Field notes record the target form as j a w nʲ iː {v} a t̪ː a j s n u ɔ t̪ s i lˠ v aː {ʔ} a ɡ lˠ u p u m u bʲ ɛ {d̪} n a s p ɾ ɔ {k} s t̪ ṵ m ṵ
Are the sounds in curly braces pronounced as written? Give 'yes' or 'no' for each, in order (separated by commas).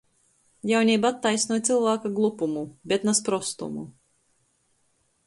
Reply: no, no, no, no